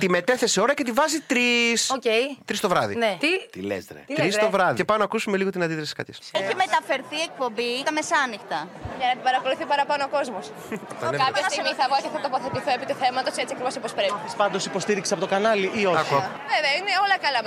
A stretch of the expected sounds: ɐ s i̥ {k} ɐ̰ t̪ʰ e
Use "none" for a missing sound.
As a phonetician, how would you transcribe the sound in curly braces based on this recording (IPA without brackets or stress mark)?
k